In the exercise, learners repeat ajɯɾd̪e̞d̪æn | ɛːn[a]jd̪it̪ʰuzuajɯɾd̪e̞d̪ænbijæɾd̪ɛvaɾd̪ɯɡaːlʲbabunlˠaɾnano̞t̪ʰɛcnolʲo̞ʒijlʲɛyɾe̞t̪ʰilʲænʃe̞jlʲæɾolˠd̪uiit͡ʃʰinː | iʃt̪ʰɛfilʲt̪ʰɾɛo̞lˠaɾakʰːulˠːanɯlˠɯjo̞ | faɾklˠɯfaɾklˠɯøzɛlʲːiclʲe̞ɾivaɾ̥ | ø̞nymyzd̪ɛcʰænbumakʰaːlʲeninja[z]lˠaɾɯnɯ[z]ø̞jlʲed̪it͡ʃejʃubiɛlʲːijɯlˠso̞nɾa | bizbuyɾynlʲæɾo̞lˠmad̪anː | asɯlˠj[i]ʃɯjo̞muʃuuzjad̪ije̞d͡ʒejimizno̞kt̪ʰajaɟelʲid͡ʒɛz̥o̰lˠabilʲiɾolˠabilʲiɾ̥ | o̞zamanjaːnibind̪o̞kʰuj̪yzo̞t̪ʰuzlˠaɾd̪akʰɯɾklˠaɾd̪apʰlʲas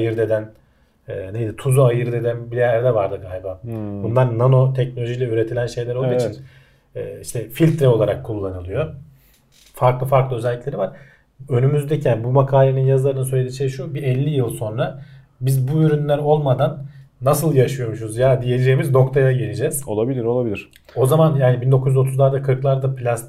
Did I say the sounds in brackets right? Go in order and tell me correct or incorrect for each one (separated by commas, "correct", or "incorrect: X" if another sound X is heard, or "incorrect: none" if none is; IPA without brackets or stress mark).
incorrect: e, correct, incorrect: s, incorrect: a